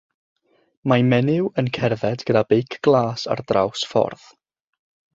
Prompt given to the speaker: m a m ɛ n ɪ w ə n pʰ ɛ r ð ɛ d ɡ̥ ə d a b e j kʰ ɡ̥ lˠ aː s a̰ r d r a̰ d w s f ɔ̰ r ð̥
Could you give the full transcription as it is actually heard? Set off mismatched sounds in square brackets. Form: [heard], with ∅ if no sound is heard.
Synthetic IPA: m a m ɛ n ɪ w ə n [kʰ] ɛ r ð ɛ d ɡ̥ ə d a b e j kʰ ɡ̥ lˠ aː s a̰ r d r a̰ [∅] w s f ɔ̰ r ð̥